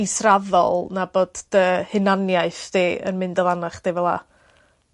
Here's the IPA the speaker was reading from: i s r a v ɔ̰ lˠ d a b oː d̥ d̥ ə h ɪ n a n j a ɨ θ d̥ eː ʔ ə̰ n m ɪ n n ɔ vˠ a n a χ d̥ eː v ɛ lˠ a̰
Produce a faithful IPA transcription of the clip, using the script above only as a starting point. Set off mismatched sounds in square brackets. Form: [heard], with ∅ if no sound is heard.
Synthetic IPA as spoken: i s r a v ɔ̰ lˠ [n] a b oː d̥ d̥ ə h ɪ n a n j a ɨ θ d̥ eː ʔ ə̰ n m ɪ n [d] ɔ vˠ a n a χ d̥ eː v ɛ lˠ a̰